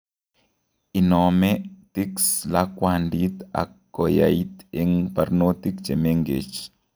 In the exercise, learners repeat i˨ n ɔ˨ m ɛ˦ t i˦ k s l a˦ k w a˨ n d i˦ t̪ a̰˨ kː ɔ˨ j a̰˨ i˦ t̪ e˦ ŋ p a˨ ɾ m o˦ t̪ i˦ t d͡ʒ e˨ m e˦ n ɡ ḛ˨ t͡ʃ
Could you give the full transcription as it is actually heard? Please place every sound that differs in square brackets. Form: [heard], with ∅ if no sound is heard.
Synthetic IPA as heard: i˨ n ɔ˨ m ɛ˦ t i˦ k s l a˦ k w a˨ n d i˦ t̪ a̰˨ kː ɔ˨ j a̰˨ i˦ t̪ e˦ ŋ p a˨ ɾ [n] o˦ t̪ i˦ [k] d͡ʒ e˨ m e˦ [ŋ] ɡ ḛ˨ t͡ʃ